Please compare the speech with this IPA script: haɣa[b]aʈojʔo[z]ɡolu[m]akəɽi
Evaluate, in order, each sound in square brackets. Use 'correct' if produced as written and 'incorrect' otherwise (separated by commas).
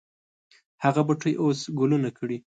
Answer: correct, incorrect, incorrect